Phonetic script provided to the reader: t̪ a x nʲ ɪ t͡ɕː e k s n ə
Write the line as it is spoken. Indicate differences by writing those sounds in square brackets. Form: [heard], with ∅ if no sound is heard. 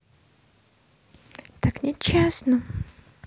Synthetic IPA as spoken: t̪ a [k] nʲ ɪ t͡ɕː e [∅] s n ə

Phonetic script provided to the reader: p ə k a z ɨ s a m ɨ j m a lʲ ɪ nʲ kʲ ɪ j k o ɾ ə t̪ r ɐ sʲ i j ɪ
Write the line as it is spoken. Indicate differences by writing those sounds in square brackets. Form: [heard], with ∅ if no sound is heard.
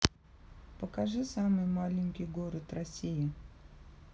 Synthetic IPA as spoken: p ə k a [ʐ] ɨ s a m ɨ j m a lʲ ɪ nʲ kʲ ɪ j [ɡ] o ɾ ə t̪ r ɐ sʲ i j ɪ

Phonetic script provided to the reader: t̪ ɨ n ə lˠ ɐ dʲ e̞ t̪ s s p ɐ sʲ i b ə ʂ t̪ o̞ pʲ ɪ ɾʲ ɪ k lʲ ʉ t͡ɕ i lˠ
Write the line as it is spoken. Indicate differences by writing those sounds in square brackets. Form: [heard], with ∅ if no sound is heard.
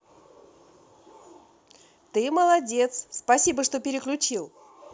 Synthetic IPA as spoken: t̪ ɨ [m] ə lˠ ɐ dʲ e̞ t̪ s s p ɐ sʲ i b ə ʂ t̪ o̞ pʲ ɪ ɾʲ ɪ k lʲ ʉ t͡ɕ i lˠ

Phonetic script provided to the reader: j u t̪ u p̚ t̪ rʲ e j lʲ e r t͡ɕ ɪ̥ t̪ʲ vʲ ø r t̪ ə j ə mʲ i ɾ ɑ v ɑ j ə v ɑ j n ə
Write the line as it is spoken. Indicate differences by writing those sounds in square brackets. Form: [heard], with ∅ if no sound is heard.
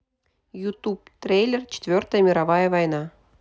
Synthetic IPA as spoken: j u t̪ u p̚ t̪ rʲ e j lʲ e r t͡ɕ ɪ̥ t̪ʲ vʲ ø r t̪ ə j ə mʲ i ɾ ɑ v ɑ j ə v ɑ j n [ɑ]

